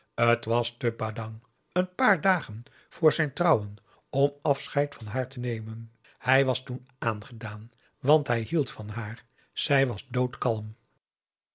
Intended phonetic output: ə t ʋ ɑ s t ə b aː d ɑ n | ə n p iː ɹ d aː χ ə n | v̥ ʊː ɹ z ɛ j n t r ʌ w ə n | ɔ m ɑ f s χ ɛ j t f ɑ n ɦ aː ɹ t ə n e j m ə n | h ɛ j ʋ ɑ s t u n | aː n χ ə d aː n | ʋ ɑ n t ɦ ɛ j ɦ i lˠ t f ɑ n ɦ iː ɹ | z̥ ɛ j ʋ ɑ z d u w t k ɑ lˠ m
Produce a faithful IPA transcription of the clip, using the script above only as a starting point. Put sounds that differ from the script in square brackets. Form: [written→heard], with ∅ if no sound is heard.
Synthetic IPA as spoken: ə t ʋ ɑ s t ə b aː d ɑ [n→ŋ] | ə n p [iː→aː] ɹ d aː χ ə n | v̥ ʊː ɹ z ɛ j n t r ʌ w ə n | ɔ m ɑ f s χ ɛ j t f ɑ n ɦ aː ɹ t ə n e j m ə n | h ɛ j ʋ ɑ s t u n | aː n χ ə d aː n | ʋ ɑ n t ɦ ɛ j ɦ i lˠ t f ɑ n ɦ [iː→aː] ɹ | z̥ ɛ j ʋ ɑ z d [u→o] w t k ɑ lˠ m

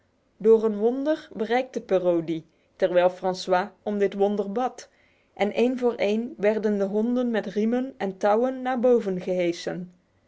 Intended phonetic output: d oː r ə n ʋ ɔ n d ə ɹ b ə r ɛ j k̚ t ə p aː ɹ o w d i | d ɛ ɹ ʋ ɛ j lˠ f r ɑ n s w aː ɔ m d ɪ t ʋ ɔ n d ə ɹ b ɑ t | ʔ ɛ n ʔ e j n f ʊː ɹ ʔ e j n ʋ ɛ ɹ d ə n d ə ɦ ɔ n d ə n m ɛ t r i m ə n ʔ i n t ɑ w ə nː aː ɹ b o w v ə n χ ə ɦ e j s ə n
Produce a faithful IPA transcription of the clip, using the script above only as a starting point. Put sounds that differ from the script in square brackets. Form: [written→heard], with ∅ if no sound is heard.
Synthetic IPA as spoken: d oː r ə n ʋ ɔ n d ə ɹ b ə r ɛ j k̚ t ə p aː [ɹ→r] o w d i | [d→t] ɛ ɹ ʋ ɛ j lˠ f r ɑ n s w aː ɔ m d ɪ t ʋ ɔ n d ə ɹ b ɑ t | ʔ ɛ n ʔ e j n [f→v] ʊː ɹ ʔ e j n ʋ ɛ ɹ d ə n d ə ɦ ɔ n d ə n m ɛ t r i m ə n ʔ [i→ɛ] n t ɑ w ə nː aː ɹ b o w v ə n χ ə ɦ e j s ə n

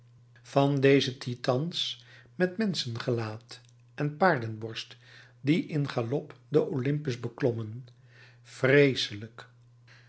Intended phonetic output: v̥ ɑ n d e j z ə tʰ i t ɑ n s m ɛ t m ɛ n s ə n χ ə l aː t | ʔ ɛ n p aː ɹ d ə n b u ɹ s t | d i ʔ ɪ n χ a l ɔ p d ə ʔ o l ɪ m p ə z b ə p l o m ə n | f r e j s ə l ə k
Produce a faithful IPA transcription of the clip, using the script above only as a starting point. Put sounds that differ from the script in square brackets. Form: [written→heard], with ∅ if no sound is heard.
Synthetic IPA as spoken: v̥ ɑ n d e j z ə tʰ i t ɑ n s m ɛ t m ɛ n s ə n χ ə l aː t | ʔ ɛ n p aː ɹ d ə n b [u→ɔ] ɹ s t | d i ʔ ɪ n χ a l ɔ p d ə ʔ o l ɪ m p ə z b ə [p→k] l [o→ɔ] m ə n | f r e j s ə l ə k

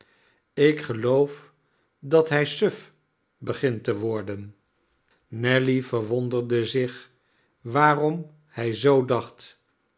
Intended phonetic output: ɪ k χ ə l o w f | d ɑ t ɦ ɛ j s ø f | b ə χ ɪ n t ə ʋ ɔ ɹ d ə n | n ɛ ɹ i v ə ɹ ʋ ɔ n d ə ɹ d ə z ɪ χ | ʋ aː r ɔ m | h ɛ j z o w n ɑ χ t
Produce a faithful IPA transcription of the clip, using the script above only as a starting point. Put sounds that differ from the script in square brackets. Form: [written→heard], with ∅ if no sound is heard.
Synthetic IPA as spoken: ɪ k χ ə l o w f | d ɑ t ɦ ɛ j s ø f | b ə χ ɪ n t ə ʋ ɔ ɹ d ə n | n ɛ [ɹ→l] i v ə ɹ ʋ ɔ n d ə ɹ d ə z ɪ χ | ʋ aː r ɔ m | h ɛ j z o w [n→d] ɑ χ t

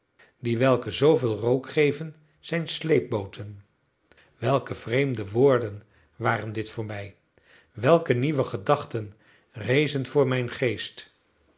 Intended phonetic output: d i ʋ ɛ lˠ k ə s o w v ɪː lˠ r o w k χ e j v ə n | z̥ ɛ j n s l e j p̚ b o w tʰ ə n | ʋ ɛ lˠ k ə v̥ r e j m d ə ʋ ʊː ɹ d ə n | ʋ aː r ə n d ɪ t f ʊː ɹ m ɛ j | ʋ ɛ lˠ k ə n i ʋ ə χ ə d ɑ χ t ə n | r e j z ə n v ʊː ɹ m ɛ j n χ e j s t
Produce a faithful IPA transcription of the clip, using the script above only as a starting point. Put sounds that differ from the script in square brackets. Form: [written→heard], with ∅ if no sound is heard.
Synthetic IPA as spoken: d i ʋ ɛ lˠ k ə [s→z] o w v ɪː lˠ r o w k χ e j v ə n | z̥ ɛ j n s l e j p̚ b o w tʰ ə n | ʋ ɛ lˠ k ə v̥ r e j m d ə ʋ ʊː ɹ d ə n | ʋ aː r ə n d ɪ t f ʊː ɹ m ɛ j | ʋ ɛ lˠ k ə n i ʋ ə χ ə d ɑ χ t ə n | r e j z ə n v ʊː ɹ m ɛ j n χ e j s t

